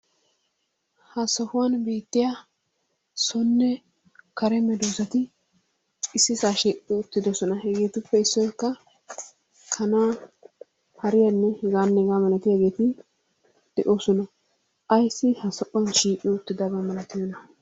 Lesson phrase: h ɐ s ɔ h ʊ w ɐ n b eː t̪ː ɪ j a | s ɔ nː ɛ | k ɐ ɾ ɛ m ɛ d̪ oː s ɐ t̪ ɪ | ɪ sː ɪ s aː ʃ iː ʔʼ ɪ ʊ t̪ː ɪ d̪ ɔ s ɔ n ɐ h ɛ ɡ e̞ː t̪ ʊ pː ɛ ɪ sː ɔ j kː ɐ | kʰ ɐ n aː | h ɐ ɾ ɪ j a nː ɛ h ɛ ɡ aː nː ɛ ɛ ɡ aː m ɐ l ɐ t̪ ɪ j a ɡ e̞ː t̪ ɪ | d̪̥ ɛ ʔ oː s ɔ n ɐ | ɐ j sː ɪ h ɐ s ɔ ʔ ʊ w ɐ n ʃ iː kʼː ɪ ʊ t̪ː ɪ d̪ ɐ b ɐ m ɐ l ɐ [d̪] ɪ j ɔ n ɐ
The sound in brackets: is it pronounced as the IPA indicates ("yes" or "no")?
no